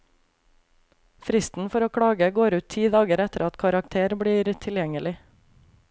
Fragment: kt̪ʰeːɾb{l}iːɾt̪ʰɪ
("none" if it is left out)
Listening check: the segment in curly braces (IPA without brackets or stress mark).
ɽ